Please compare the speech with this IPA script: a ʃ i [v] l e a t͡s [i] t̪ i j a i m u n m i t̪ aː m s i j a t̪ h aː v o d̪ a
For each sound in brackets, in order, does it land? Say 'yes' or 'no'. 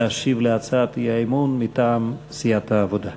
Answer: yes, no

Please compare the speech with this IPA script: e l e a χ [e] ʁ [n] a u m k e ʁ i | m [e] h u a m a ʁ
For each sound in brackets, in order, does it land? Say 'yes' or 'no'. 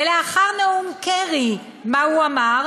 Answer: no, yes, no

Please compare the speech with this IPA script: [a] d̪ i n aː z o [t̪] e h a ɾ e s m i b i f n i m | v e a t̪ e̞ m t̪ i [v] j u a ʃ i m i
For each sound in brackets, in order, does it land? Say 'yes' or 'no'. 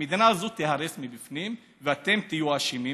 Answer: no, yes, no

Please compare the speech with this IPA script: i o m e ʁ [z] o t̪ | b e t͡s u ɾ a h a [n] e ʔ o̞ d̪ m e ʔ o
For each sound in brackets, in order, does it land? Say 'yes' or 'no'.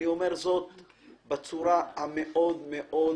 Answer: yes, no

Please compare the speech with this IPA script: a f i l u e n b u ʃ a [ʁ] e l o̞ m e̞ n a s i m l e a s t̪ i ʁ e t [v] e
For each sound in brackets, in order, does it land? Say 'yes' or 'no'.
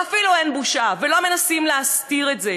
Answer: no, no

